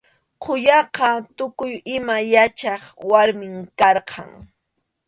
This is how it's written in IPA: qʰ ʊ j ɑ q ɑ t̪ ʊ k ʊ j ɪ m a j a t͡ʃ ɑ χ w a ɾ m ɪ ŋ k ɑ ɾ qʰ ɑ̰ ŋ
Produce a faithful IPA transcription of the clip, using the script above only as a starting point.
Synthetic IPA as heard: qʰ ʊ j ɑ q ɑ t̪ ʊ k ʊ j ɪ m a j a t͡ʃ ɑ χ w a ɾ m ɪ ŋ k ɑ ɾ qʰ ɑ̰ ŋ